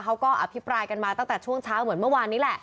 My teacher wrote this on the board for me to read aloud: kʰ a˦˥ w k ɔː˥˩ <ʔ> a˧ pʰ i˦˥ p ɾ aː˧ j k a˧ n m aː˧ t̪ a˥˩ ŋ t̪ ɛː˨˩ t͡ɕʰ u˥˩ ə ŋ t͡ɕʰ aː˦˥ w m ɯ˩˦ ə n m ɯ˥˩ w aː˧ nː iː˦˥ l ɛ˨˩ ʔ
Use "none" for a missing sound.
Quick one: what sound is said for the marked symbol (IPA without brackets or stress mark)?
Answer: ʔ